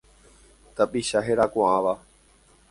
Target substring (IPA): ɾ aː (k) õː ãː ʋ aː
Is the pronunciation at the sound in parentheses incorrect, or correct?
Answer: correct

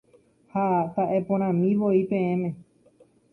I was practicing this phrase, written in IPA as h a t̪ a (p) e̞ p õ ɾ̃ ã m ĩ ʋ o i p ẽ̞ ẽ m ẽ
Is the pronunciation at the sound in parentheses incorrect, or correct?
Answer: incorrect: ʔ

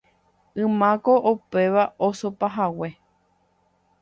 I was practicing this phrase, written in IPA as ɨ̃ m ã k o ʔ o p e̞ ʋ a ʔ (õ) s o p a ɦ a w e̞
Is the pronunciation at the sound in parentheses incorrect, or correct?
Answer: incorrect: o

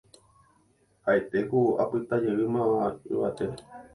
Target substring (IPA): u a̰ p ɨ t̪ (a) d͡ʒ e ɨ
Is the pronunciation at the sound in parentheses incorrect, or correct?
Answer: correct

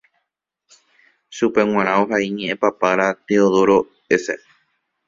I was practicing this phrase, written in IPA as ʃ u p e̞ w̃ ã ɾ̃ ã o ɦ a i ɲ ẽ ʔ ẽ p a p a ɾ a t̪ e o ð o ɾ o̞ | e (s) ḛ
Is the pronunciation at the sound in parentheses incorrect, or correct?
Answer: correct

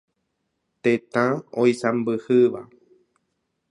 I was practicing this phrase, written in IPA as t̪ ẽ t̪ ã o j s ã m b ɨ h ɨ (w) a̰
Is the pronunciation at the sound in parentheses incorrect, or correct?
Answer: incorrect: ʋ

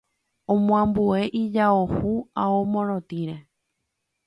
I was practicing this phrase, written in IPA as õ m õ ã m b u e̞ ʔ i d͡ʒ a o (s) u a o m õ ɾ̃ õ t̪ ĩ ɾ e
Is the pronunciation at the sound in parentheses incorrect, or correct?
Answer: incorrect: h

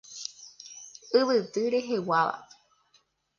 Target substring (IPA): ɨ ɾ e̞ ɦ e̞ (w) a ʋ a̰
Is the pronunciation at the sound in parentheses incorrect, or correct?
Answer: correct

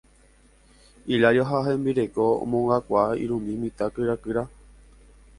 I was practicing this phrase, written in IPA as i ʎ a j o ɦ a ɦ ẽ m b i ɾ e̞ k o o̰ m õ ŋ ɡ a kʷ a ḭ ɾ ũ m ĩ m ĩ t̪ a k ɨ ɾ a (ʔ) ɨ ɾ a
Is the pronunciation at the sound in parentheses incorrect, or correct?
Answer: incorrect: k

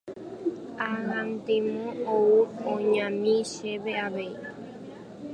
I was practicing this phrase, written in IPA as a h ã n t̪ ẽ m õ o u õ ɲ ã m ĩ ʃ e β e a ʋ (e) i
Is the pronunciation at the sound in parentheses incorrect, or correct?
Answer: correct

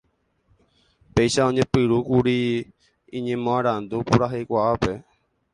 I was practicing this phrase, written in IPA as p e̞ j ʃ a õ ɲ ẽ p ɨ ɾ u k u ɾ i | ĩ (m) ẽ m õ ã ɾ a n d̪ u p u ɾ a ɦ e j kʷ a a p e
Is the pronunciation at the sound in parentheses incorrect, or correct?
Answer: incorrect: ɲ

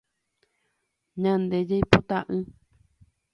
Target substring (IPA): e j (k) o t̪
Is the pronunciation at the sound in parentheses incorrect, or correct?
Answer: incorrect: p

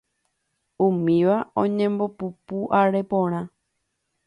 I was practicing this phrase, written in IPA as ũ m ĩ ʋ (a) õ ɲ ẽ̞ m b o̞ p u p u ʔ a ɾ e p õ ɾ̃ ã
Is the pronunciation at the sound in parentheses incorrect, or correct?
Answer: correct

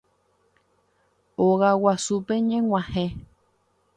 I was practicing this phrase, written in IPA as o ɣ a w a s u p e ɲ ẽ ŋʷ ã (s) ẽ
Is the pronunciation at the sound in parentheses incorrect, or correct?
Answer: incorrect: h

